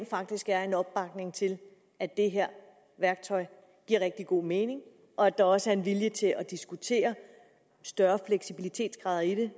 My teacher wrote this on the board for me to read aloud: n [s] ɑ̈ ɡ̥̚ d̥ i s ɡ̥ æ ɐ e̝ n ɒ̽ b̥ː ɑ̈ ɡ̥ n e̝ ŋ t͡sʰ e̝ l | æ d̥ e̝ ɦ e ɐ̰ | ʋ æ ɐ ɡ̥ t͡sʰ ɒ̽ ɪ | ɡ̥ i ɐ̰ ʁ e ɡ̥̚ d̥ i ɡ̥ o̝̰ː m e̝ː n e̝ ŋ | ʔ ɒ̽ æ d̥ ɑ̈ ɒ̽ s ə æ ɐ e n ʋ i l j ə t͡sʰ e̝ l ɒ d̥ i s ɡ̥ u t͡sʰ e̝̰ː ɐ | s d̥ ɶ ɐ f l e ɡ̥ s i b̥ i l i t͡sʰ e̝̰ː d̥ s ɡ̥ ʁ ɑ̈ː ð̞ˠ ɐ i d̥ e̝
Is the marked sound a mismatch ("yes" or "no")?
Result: yes